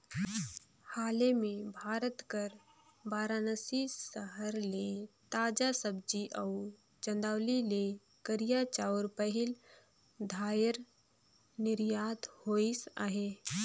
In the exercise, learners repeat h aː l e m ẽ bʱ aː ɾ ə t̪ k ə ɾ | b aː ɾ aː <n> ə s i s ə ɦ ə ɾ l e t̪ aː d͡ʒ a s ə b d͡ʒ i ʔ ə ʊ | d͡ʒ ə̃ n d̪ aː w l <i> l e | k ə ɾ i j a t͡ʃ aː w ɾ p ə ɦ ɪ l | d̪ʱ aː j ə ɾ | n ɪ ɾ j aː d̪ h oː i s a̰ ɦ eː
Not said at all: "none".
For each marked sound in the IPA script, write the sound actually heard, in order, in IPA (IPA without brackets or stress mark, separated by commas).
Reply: n, i